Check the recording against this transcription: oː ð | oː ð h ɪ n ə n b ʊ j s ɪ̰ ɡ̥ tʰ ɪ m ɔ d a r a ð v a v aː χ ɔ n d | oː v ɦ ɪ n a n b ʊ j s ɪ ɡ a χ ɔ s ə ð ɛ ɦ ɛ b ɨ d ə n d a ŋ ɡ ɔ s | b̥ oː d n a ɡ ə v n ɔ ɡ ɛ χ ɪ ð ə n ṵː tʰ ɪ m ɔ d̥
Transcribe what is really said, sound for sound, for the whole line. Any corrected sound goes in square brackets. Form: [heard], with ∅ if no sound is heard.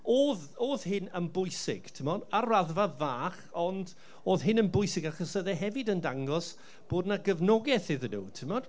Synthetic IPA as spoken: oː ð | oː ð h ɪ n ə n b ʊ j s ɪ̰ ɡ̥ tʰ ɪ m ɔ d a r a ð v a v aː χ ɔ n d | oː [ð] ɦ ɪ n [ə] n b ʊ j s ɪ ɡ a χ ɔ s ə ð ɛ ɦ ɛ [v] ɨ d ə n d a ŋ ɡ ɔ s | b̥ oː d n a ɡ ə v n ɔ ɡ ɛ [θ] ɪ ð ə n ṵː tʰ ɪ m ɔ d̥